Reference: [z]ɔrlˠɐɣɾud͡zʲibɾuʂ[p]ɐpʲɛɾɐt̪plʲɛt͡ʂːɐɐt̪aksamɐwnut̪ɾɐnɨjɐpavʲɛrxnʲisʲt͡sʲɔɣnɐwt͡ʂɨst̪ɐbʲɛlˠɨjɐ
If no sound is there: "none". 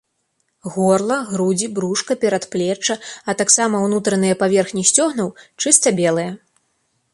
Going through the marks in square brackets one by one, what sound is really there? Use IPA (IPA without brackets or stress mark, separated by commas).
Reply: ɣ, k